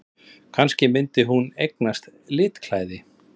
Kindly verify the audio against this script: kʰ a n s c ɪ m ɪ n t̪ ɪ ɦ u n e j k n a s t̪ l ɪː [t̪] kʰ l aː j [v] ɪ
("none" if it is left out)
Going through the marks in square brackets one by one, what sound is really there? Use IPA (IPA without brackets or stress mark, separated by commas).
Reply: t̪, ð